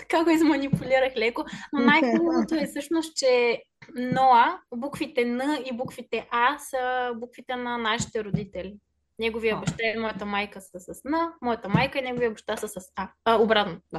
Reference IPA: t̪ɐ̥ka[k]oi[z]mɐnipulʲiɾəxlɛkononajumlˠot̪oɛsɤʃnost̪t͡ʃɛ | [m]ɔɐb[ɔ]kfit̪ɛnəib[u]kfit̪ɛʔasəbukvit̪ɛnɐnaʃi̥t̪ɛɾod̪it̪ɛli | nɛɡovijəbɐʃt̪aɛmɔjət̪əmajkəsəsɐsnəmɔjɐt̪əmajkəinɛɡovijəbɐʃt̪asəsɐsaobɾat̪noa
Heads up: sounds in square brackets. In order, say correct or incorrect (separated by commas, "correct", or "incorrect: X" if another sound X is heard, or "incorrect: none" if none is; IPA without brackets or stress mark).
incorrect: ɡ, correct, incorrect: n, incorrect: u, correct